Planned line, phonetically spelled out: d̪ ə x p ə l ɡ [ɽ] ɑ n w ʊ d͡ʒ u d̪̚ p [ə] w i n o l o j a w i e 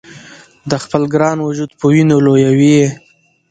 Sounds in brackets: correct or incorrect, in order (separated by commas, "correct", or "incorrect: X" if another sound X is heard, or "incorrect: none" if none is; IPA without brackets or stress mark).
incorrect: ɾ, correct